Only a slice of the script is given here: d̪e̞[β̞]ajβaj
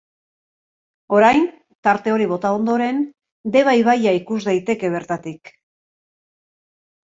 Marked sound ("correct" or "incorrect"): correct